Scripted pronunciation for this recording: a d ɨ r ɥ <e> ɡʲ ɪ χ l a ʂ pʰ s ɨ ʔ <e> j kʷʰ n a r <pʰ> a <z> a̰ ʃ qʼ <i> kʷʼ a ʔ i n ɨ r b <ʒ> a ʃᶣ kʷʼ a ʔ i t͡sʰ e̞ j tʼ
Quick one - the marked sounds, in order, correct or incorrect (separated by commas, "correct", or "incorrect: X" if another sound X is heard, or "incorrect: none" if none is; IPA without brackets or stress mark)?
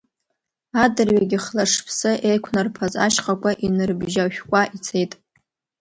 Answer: incorrect: a, correct, correct, correct, incorrect: a, correct